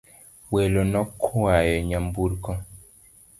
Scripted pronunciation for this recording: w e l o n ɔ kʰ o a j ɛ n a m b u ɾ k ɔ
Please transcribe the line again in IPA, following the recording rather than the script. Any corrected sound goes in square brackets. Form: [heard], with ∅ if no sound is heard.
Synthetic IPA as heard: w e l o n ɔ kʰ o a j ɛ [ɲ] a m b u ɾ k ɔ